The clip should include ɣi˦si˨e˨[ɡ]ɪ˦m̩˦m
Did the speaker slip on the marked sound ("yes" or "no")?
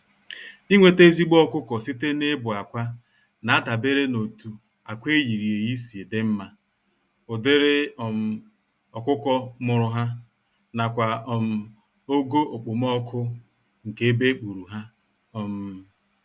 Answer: yes